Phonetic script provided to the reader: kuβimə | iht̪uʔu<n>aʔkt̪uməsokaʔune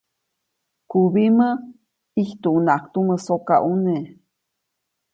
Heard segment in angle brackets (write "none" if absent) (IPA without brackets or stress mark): n